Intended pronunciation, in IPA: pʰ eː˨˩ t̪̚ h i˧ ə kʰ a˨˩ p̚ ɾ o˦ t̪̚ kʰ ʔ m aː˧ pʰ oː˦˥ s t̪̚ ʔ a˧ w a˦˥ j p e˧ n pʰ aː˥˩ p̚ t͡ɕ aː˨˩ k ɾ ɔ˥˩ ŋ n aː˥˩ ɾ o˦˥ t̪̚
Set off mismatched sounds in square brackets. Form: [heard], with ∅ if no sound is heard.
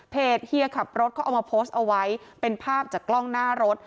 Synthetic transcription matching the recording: pʰ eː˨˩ t̪̚ h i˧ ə kʰ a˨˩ p̚ ɾ o˦ t̪̚ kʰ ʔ m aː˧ pʰ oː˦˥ s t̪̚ ʔ a˧ w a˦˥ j p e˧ n pʰ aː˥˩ p̚ t͡ɕ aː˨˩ k [l] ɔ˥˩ ŋ n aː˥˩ ɾ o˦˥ t̪̚